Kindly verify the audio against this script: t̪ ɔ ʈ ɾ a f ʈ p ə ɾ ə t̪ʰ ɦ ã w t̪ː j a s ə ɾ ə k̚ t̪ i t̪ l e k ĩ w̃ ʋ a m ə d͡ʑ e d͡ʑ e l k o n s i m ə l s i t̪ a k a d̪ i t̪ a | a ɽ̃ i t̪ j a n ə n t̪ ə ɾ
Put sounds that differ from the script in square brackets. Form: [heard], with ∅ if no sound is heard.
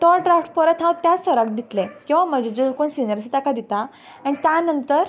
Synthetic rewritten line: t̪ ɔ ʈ ɾ a f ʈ p ə ɾ ə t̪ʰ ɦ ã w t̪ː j a s ə ɾ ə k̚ [d̪] i t̪ l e k ĩ w̃ ʋ a m ə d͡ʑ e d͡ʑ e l k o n s i [n] ə [ɾ] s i t̪ a k a d̪ i t̪ a | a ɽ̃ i t̪ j a n ə n t̪ ə ɾ

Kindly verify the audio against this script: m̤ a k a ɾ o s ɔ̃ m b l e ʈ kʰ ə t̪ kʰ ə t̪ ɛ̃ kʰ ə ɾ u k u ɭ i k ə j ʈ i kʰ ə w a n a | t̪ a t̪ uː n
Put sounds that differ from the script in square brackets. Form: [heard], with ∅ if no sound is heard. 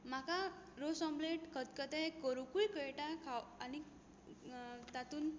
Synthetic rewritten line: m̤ a k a ɾ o s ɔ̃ m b l e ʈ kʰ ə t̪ [k] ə t̪ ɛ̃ [k] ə ɾ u k u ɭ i k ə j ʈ [a] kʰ [a] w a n [i] | t̪ a t̪ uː n

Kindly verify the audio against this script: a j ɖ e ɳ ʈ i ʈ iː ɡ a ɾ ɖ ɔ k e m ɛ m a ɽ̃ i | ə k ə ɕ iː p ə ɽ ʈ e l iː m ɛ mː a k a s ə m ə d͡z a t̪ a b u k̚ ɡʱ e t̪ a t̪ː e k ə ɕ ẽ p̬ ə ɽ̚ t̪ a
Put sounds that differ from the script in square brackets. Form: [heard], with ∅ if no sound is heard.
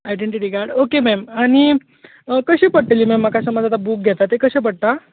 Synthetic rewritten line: a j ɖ e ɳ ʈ i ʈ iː ɡ a ɾ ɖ [o] k e m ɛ m a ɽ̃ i | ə k ə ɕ iː p ə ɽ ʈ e l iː m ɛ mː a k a s ə m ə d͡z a t̪ a b u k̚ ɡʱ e t̪ a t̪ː e k ə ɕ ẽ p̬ ə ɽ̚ t̪ a

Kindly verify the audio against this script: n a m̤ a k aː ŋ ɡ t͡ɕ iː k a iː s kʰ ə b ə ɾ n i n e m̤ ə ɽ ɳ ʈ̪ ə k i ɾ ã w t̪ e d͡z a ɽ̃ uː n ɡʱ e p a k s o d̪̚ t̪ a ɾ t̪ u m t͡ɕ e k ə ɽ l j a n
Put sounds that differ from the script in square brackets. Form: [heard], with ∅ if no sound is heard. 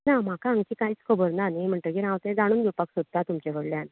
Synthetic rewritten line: n a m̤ a k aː ŋ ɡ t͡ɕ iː k a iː [t͡s] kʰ ə b ə ɾ n [a] n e m̤ ə [∅] ɳ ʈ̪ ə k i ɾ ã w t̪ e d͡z a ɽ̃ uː n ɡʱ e p a k s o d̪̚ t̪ a [∅] t̪ u m t͡ɕ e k ə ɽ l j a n

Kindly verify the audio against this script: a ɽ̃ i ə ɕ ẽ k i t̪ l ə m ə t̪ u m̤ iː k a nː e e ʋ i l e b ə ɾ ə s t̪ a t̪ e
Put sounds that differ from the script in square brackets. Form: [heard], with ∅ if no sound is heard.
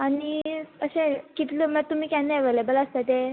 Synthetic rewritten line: a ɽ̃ i ə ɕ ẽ k i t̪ l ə m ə t̪ u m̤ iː k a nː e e ʋ [e] l e b ə [l] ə s t̪ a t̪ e

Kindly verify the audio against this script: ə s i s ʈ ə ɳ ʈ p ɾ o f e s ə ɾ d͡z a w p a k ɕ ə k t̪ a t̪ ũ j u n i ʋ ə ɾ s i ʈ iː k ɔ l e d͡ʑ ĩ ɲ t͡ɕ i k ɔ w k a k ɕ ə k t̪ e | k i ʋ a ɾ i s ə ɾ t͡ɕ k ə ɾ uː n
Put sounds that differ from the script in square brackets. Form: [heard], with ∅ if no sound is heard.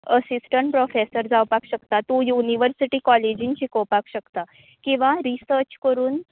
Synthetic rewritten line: ə s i s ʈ ə ɳ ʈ p ɾ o f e s ə ɾ d͡z a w p a k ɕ ə k t̪ a t̪ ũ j u n i ʋ ə ɾ s i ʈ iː k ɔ l e d͡ʑ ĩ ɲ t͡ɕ i k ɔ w [p] a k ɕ ə k t̪ [a] | k [ĩ] ʋ a ɾ i s ə ɾ t͡ɕ k ə ɾ uː n

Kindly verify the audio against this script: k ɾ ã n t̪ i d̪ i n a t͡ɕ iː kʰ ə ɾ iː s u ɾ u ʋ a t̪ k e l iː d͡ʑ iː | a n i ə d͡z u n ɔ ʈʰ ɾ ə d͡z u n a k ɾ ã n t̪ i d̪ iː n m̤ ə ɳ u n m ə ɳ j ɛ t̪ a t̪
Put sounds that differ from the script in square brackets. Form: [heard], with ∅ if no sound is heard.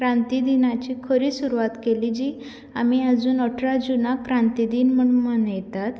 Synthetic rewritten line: k ɾ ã n t̪ i d̪ i n a t͡ɕ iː kʰ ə ɾ iː s u ɾ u ʋ a t̪ k e l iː d͡ʑ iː | a [m] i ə d͡z [uː] n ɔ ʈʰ ɾ [a] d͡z u n a k ɾ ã n t̪ i d̪ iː n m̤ ə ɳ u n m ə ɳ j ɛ t̪ a t̪

